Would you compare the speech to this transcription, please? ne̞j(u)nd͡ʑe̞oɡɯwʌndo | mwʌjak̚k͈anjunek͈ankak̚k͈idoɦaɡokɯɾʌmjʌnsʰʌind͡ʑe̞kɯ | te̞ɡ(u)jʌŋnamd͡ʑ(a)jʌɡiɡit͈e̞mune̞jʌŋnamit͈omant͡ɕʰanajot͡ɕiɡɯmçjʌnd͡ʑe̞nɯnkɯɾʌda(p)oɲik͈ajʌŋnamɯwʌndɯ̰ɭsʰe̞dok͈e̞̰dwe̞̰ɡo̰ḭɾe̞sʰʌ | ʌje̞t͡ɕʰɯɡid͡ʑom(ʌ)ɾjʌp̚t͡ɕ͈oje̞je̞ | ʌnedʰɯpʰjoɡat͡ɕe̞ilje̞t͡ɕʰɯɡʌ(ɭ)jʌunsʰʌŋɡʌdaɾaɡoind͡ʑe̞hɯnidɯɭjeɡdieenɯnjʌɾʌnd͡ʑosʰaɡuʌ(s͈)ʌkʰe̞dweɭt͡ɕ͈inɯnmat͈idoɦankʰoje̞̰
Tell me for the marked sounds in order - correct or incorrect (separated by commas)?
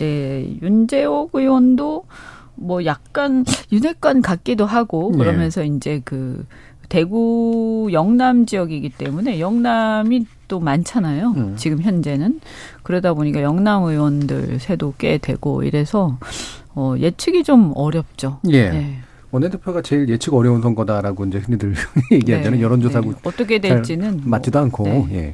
correct, correct, incorrect, incorrect, correct, incorrect, incorrect